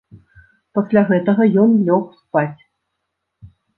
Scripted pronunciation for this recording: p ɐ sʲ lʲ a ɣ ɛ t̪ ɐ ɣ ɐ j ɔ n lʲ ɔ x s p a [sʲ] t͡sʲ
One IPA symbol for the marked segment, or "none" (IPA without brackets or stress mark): none